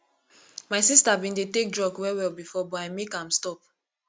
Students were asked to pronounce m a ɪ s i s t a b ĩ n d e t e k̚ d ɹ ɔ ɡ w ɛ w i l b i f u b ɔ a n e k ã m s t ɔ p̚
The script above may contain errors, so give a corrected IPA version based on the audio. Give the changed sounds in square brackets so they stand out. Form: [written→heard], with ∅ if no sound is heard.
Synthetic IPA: m a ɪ s i s t a b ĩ n d e t e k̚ d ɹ ɔ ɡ w ɛ w [i→ɛ] l b i f [u→ɔ] b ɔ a [n→m] e k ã m s t ɔ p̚